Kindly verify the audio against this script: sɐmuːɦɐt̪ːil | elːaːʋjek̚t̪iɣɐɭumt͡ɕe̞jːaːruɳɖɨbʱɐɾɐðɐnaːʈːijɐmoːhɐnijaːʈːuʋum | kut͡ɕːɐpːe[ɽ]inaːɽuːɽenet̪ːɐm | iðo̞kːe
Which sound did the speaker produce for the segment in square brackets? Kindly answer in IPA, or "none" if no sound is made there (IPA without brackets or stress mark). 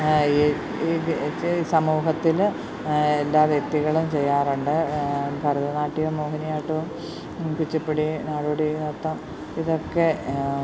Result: ɽ